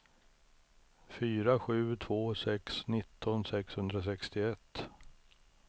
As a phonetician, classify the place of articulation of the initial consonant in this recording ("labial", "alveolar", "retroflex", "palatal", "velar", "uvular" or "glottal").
labial